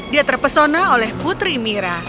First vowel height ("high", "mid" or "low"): high